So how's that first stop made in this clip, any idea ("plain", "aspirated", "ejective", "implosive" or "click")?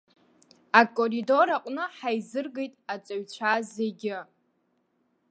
ejective